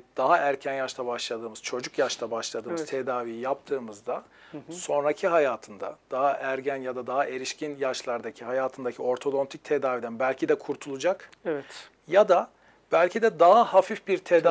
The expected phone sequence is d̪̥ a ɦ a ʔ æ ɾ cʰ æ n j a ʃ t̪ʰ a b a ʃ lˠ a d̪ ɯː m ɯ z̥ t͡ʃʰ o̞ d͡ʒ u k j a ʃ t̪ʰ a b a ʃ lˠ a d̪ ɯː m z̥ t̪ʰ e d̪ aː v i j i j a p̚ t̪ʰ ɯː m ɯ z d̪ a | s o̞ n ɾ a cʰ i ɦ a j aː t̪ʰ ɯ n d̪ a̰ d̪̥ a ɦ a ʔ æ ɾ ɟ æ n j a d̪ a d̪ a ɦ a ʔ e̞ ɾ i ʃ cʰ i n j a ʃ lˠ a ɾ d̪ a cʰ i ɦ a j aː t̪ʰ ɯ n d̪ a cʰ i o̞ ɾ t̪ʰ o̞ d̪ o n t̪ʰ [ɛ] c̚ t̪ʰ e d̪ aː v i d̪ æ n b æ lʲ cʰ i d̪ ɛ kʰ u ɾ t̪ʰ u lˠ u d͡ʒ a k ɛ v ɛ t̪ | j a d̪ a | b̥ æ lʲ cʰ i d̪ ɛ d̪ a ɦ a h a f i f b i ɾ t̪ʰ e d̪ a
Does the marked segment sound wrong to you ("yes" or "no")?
yes